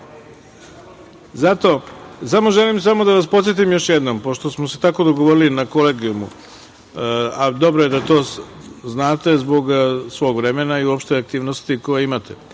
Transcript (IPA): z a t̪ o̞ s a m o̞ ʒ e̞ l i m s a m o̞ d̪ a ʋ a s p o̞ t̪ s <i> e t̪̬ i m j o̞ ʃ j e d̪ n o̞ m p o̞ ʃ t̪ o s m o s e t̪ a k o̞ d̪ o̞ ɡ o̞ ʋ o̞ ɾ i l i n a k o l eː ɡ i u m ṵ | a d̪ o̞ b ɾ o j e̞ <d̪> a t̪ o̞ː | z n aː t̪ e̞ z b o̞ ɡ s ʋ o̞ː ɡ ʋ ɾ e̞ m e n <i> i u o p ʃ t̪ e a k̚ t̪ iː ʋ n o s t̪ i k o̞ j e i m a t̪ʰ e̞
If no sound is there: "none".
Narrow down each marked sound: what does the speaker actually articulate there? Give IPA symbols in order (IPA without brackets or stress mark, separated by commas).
j, d̪, a